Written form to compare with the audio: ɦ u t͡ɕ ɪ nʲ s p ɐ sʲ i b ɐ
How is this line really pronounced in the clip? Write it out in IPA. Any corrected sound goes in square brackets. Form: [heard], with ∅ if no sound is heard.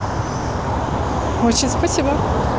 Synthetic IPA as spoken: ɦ [o] t͡ɕ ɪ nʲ s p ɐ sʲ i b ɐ